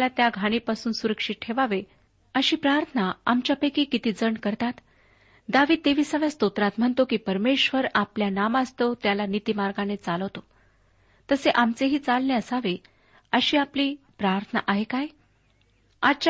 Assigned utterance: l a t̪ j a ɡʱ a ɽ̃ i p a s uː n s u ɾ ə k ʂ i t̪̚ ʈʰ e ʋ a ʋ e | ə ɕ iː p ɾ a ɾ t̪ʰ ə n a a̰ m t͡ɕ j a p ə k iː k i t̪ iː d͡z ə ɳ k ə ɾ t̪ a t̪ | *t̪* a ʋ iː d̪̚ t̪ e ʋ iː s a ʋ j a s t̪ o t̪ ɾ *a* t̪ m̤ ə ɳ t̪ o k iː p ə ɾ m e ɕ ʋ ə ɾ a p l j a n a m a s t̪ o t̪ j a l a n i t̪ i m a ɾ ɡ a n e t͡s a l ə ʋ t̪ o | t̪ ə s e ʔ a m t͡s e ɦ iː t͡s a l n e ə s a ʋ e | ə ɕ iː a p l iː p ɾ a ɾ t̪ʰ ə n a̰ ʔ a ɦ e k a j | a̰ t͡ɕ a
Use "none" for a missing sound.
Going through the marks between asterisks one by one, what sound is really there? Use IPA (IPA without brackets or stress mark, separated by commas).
d̪, a